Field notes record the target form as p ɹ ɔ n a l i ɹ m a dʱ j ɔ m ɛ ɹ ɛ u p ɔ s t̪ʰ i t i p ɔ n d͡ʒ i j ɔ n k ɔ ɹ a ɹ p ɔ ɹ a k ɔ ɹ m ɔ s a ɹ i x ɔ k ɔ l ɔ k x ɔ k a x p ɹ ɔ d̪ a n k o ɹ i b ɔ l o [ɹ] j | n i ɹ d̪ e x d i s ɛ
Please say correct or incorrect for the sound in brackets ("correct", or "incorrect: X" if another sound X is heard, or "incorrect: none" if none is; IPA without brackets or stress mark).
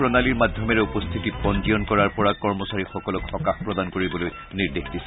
incorrect: none